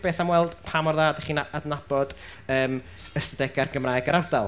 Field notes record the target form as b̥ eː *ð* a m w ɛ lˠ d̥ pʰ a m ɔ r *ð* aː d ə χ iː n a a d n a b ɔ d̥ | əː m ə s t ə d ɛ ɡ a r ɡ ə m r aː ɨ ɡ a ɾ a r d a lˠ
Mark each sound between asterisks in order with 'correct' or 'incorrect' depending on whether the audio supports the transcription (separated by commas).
incorrect, correct